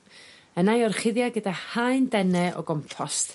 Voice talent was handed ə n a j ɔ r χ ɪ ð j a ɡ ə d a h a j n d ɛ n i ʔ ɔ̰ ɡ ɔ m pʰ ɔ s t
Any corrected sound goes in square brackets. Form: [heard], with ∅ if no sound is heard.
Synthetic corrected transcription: ə n a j ɔ r χ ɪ ð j a ɡ ə d a h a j n d ɛ n [ɛ] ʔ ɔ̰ ɡ ɔ m pʰ ɔ s t